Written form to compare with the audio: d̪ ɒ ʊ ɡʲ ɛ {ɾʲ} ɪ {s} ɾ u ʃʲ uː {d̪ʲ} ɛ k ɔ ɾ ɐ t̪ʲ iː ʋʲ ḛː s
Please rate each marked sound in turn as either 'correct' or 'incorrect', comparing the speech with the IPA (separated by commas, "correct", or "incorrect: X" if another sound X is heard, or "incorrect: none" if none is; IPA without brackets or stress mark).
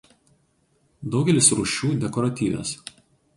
incorrect: lʲ, correct, correct